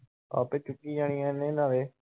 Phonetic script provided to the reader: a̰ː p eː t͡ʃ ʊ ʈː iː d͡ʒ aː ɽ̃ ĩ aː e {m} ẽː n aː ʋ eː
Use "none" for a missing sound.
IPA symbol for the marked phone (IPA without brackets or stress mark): n